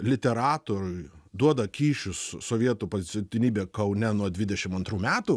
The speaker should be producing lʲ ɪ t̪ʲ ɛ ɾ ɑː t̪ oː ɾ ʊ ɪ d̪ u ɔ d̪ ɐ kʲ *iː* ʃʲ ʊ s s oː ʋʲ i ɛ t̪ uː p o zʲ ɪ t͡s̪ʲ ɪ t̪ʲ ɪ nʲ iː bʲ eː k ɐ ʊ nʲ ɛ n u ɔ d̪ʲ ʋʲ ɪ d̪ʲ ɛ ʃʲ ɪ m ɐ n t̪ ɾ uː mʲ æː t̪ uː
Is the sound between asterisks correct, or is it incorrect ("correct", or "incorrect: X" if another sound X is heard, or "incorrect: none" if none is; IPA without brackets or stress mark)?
correct